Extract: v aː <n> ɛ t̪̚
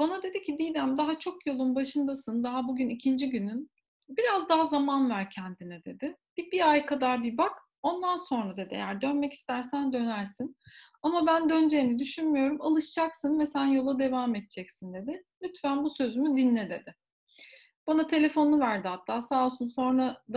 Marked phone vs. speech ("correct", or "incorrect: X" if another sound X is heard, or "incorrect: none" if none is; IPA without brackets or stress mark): incorrect: m